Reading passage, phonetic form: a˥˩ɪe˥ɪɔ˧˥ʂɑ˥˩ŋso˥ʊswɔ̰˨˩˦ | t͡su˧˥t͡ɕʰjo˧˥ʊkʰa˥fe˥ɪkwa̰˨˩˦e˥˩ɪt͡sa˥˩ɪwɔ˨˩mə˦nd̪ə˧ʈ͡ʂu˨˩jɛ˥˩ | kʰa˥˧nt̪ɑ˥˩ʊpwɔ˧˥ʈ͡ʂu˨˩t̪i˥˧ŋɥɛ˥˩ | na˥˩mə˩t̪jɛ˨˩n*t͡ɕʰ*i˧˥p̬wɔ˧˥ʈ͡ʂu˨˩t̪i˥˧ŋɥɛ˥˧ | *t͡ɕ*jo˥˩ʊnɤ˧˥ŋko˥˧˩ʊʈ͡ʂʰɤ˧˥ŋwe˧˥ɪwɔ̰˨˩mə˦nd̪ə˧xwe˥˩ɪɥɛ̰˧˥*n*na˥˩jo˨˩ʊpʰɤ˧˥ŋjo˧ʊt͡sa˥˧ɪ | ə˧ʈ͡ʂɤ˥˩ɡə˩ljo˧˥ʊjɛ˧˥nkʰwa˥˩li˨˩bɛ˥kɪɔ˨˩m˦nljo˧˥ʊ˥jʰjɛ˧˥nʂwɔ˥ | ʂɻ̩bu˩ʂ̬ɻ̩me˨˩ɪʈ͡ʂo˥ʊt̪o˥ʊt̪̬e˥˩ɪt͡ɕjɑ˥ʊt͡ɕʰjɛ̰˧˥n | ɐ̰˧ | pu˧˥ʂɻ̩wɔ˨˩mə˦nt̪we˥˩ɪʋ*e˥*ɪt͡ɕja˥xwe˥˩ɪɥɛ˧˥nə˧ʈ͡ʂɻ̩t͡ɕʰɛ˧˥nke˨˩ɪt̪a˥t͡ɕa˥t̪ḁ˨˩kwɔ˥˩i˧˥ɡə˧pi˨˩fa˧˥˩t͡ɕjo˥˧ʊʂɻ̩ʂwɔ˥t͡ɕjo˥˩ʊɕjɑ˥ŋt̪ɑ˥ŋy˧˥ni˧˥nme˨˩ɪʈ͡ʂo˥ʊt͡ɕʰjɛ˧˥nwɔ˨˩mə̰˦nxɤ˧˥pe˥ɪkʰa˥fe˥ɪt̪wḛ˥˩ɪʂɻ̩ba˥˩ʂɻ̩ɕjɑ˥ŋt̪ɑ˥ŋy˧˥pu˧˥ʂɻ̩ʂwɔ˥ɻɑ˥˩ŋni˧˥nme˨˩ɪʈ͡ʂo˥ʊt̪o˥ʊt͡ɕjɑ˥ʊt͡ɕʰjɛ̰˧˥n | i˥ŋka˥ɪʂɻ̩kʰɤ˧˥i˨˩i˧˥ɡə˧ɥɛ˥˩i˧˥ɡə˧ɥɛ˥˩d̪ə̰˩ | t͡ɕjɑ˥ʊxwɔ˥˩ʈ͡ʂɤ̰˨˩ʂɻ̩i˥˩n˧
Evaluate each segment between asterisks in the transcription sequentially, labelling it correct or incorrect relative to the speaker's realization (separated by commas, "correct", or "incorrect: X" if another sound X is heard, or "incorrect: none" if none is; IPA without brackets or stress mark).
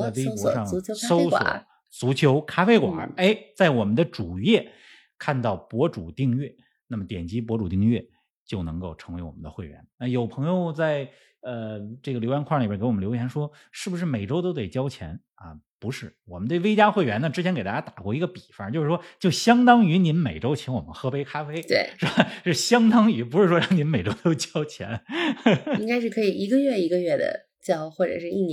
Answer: incorrect: t͡ɕ, correct, correct, correct